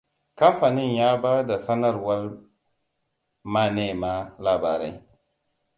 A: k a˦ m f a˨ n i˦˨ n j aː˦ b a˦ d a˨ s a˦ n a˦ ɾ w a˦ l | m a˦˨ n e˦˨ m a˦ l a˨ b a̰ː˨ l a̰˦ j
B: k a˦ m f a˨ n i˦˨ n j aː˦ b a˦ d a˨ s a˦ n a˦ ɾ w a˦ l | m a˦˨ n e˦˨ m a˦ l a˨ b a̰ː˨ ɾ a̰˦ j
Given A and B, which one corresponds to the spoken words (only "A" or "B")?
B